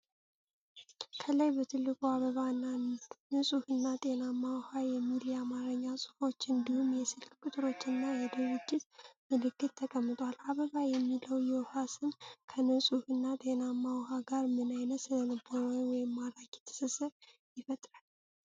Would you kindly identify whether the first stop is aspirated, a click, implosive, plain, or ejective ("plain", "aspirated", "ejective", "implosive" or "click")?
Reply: aspirated